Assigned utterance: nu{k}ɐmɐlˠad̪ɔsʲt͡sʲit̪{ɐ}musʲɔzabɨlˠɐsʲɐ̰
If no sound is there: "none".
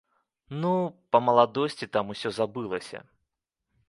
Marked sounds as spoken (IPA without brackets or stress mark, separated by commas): p, a